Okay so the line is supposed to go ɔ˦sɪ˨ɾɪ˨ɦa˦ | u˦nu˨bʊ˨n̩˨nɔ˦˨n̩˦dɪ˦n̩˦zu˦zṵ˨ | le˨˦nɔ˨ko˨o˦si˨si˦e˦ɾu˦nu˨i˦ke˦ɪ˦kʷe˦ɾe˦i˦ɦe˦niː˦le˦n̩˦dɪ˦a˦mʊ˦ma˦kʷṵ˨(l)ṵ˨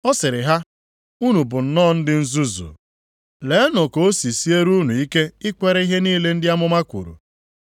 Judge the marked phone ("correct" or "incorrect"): incorrect